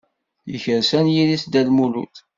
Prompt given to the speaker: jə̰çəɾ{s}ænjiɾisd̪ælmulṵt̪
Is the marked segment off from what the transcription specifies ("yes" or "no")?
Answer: no